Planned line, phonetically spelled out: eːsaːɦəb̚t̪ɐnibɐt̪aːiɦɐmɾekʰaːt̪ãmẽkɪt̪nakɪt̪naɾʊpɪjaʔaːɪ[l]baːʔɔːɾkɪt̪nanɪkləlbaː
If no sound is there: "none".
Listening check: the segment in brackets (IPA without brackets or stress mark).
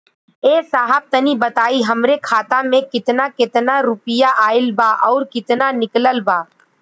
l